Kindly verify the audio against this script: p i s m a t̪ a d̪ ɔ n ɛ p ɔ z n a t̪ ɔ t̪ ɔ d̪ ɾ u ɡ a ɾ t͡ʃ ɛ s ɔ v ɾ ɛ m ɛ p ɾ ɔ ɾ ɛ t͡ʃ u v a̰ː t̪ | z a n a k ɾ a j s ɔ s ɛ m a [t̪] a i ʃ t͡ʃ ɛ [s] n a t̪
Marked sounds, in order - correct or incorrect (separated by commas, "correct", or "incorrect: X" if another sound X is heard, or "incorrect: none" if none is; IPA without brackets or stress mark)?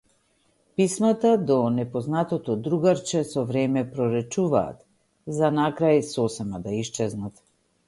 incorrect: d̪, incorrect: z